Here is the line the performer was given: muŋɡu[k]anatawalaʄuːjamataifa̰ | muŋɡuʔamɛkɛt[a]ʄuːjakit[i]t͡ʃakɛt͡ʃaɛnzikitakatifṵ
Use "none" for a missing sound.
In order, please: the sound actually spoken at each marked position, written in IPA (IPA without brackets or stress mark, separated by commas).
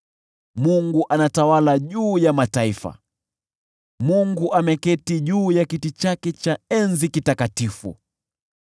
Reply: ʔ, i, i